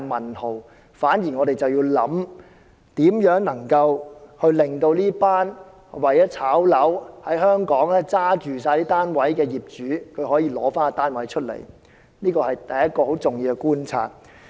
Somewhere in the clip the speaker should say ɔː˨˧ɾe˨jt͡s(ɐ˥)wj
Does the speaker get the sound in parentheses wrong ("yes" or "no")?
yes